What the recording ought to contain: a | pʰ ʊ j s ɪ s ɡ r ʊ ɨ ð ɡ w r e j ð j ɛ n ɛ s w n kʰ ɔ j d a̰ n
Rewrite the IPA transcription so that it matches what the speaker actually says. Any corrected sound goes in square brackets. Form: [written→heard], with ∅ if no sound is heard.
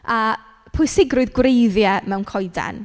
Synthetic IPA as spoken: a | pʰ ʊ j s ɪ [s→∅] ɡ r ʊ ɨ ð ɡ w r e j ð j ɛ [n→m] ɛ [s→∅] w n kʰ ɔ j d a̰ n